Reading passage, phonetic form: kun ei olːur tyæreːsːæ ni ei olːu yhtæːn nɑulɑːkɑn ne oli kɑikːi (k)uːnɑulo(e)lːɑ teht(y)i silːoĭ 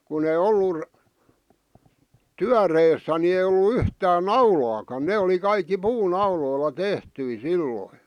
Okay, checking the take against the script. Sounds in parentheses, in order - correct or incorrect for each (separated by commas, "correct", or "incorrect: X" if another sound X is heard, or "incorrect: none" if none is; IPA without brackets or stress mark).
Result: incorrect: p, incorrect: i, correct